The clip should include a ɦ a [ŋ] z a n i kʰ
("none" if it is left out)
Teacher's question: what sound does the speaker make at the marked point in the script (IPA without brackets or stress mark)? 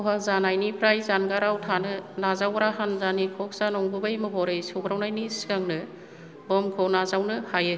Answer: n